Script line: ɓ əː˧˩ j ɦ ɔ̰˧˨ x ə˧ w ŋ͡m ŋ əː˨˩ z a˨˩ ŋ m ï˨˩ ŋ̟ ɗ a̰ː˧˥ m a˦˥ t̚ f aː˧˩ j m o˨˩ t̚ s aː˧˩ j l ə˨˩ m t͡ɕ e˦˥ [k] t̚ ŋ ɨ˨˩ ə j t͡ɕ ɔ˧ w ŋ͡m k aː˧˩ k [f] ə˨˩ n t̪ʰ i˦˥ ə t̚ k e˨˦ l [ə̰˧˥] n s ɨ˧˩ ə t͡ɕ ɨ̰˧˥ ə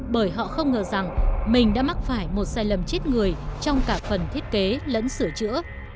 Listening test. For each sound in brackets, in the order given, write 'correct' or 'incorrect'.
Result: incorrect: none, correct, correct

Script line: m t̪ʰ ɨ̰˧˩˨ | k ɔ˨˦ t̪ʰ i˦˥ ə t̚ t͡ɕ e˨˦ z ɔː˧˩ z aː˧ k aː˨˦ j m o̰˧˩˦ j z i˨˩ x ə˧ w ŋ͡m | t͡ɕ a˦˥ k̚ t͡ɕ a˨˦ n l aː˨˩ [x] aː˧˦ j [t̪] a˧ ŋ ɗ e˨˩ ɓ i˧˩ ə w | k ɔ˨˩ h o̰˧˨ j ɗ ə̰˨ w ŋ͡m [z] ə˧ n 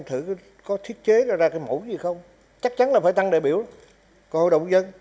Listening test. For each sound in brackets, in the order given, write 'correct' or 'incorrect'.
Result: incorrect: f, correct, correct

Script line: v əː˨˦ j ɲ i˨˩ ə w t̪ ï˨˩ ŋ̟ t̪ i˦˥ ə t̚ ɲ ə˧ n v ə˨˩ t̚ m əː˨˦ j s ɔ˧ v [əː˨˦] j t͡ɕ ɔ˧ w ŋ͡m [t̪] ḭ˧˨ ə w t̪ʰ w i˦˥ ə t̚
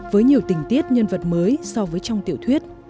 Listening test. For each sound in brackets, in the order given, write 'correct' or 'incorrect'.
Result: correct, correct

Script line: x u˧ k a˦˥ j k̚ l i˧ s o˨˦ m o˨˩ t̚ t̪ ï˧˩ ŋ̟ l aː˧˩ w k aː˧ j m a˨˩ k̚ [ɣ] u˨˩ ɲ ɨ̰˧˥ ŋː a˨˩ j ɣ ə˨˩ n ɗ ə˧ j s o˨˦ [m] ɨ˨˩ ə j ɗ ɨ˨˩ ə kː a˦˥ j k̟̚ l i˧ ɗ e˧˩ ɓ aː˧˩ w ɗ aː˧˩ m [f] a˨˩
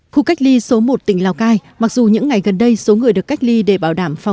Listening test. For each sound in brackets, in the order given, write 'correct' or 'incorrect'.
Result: incorrect: z, incorrect: ŋ, correct

